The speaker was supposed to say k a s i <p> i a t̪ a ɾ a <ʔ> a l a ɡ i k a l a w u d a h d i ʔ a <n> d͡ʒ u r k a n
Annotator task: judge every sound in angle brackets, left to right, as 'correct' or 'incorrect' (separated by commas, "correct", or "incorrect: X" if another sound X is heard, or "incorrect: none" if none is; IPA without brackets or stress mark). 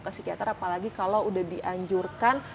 incorrect: k, incorrect: p, incorrect: ɲ